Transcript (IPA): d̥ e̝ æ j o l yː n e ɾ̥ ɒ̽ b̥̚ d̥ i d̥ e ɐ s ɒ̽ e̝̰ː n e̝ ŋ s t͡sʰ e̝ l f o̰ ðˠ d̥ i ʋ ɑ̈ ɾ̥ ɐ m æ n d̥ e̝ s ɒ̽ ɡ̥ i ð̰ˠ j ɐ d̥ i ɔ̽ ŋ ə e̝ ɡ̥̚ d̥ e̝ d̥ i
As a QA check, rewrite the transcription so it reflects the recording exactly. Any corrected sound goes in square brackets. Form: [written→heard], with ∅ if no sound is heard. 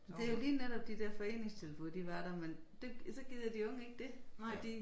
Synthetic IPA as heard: d̥ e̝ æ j o l [yː→iː] n e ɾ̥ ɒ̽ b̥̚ d̥ i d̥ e ɐ [s→f] ɒ̽ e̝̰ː n e̝ ŋ s t͡sʰ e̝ l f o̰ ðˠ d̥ i ʋ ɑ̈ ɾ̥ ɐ m [æ→e] n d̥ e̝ s ɒ̽ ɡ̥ i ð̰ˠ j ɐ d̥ i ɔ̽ ŋ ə e̝ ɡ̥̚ d̥ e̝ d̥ i

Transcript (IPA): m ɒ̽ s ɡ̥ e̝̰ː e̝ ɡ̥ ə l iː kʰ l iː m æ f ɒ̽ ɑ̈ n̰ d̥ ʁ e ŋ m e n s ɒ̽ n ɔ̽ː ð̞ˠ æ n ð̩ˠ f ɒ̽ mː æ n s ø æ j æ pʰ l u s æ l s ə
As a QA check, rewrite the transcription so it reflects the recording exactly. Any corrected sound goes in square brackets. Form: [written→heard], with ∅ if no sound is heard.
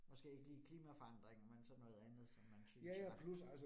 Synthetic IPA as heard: m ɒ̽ s ɡ̥ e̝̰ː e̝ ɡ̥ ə l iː kʰ l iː m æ f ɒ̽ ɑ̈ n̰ d̥ ʁ e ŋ m e n s ɒ̽ n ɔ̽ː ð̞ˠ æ n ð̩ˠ [f→s] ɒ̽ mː æ n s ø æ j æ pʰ l u s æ l s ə

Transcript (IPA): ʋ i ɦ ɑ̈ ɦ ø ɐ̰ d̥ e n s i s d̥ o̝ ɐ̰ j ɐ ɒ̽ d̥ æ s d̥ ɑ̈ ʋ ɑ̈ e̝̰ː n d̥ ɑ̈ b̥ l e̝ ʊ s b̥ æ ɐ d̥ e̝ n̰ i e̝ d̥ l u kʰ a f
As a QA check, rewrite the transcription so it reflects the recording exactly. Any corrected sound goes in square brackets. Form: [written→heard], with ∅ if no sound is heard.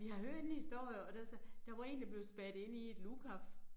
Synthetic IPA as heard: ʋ i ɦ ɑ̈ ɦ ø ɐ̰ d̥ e n [s→h] i s d̥ o̝ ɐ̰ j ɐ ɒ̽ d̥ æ s d̥ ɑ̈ ʋ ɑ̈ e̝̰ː n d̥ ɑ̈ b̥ l e̝ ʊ s b̥ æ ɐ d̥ e̝ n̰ i e̝ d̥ l u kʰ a f

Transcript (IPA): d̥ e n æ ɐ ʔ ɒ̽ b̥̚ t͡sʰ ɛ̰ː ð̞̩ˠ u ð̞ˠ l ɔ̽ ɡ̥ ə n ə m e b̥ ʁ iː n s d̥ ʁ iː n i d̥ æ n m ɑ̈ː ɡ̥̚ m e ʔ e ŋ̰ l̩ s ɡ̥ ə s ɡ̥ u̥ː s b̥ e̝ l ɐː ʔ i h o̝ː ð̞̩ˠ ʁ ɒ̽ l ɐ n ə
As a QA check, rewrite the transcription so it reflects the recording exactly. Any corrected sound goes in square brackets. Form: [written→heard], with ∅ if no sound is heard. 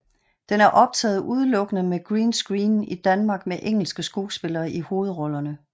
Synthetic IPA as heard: d̥ e n æ ɐ ʔ ɒ̽ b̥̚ t͡sʰ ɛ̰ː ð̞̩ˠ u ð̞ˠ l ɔ̽ ɡ̥ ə n ə m e [b̥→ɡ̥] ʁ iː n s [d̥→ɡ̥] ʁ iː n i d̥ æ n m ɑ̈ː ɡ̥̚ m e ʔ e ŋ̰ l̩ s ɡ̥ ə s ɡ̥ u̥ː s b̥ e̝ l ɐː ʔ i h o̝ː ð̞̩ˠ ʁ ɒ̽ l ɐ n ə

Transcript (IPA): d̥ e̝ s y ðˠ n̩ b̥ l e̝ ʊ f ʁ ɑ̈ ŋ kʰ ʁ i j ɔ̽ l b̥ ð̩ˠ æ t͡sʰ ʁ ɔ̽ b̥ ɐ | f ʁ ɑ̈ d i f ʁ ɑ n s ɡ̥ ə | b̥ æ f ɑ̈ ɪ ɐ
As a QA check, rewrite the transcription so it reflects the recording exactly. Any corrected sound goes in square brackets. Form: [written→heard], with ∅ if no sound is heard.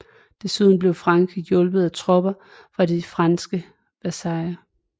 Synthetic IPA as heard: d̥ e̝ s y ðˠ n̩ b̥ l e̝ ʊ f ʁ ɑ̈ ŋ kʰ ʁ i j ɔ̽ l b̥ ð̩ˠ æ t͡sʰ ʁ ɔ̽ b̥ ɐ | f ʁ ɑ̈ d i f ʁ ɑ n s ɡ̥ ə | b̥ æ [f→s] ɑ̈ ɪ ɐ

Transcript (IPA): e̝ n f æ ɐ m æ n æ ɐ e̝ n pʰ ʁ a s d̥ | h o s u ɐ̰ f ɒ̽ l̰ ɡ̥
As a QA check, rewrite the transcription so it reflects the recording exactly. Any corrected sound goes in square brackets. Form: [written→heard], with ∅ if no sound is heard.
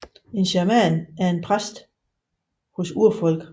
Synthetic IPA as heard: e̝ n [f→ɕ] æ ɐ m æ n æ ɐ e̝ n pʰ ʁ a s d̥ | h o s u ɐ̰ f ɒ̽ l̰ ɡ̥

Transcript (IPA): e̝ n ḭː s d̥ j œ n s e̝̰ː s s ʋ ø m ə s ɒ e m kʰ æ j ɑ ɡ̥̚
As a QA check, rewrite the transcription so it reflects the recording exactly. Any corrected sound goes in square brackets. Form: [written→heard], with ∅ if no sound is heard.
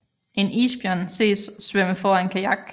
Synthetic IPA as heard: e̝ n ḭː s [d̥→b̥] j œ n s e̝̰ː s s ʋ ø m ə [s→f] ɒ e [m→n] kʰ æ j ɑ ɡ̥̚

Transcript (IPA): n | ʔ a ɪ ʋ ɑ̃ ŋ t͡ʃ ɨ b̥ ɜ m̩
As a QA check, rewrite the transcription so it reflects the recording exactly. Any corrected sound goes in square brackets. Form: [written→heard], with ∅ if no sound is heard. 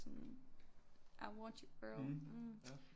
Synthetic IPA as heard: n | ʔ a ɪ [ʋ→w] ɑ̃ [ŋ→n] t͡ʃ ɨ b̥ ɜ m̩

